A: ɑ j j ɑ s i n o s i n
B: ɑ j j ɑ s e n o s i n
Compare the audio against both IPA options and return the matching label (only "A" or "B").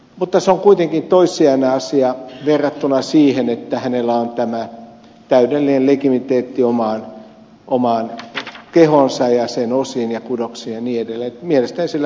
B